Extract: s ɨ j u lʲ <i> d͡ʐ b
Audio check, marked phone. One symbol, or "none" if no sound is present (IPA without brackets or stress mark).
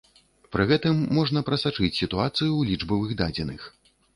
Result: i